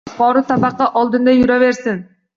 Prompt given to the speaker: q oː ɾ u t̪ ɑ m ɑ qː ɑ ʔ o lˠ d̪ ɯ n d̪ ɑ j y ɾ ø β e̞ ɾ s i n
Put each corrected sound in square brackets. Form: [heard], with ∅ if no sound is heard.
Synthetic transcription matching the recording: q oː ɾ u t̪ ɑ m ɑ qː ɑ ʔ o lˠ d̪ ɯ n d̪ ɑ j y ɾ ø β e̞ ɾ s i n